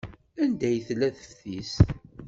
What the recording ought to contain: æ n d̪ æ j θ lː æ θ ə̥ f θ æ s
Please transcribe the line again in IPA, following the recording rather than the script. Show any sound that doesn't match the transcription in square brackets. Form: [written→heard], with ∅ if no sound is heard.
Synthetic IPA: æ n d̪ æ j θ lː æ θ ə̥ f θ [æ→i] s

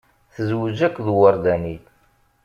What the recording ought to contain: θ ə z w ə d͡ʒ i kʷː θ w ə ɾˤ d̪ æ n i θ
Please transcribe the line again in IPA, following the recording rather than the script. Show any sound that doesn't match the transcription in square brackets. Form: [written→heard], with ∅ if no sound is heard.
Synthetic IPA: θ ə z w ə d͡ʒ [i→æ] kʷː [θ→ð] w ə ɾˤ d̪ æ n i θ

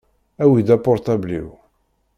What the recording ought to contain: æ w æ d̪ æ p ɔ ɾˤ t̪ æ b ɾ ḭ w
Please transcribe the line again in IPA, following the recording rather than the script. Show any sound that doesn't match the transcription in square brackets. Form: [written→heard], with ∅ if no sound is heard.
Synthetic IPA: æ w [æ→i] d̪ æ p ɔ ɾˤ t̪ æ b [ɾ→l] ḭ w

